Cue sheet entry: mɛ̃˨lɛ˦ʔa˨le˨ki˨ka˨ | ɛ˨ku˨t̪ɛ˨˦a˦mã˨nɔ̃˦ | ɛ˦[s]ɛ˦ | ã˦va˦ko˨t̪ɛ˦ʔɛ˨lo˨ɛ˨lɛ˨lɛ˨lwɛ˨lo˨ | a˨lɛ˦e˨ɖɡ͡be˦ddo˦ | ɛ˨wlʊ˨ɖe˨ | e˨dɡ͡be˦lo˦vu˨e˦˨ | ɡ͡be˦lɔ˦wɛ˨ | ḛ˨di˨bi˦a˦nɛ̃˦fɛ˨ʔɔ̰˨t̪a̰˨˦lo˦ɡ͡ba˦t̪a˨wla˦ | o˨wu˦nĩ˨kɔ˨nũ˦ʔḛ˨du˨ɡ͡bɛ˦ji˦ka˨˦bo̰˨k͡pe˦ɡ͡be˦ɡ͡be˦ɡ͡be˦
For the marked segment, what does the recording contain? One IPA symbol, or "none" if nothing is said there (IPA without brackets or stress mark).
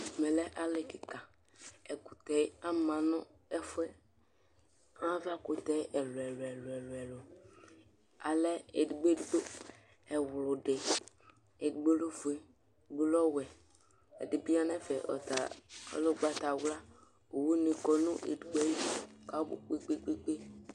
f